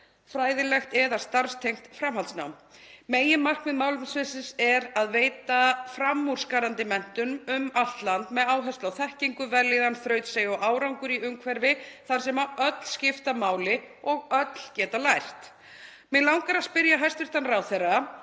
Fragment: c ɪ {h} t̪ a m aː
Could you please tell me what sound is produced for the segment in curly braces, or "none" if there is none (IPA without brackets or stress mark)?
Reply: f